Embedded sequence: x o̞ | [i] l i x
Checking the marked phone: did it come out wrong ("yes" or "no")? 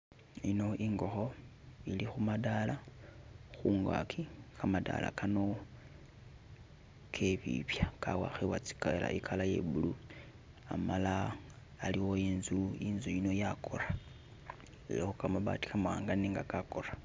no